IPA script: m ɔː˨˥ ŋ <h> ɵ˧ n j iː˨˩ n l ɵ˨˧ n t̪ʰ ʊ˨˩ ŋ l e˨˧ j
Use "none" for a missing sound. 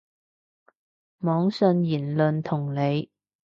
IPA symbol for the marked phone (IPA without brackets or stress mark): s